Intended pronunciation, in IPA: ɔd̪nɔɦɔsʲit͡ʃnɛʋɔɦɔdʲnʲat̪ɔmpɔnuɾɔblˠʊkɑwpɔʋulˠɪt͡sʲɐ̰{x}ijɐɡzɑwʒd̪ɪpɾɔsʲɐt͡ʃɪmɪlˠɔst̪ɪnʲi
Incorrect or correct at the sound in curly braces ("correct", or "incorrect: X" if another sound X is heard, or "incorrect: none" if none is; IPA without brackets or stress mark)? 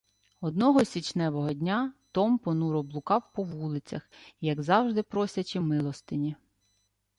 correct